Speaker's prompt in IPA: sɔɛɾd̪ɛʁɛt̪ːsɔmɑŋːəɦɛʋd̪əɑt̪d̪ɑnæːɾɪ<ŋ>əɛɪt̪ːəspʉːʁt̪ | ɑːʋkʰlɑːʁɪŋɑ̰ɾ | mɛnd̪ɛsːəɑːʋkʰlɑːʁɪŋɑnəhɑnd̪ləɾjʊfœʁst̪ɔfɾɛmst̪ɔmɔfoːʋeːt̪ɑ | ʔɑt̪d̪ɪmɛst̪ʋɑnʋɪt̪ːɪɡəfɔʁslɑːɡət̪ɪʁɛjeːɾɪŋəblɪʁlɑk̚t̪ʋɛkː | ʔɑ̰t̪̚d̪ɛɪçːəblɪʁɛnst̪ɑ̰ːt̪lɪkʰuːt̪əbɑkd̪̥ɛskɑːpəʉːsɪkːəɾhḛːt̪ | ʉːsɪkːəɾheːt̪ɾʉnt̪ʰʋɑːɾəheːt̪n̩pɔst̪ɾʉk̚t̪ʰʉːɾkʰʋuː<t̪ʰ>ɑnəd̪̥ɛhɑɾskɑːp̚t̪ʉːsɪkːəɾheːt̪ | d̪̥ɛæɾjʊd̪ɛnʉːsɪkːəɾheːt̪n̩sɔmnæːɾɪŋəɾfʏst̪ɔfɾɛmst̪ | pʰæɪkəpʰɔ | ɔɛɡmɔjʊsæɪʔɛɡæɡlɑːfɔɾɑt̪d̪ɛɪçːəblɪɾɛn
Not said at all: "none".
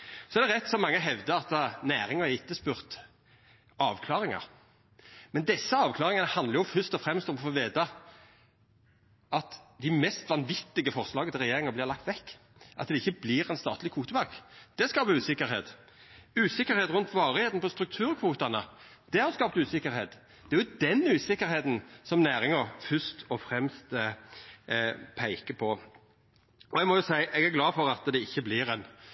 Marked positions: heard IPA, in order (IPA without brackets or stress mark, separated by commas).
ŋ, t̪